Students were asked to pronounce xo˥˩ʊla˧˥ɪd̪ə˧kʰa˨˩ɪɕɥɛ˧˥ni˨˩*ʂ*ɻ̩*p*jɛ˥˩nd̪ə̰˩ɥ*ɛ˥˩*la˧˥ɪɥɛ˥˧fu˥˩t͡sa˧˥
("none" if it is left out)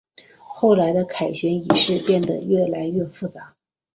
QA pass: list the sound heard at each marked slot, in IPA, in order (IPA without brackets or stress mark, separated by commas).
ʂ, p, ɛ˥˩